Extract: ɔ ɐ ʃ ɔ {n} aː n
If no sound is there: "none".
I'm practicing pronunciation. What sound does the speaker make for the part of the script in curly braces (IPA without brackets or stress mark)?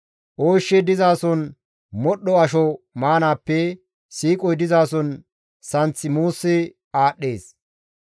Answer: m